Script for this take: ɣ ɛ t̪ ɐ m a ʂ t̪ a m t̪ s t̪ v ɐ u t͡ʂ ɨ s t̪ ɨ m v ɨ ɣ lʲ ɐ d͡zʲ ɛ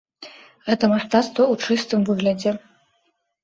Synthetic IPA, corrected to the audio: ɣ ɛ t̪ ɐ m a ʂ t̪ a t̪ s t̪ v ɐ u t͡ʂ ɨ s t̪ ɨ m v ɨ ɣ lʲ ɐ d͡zʲ ɛ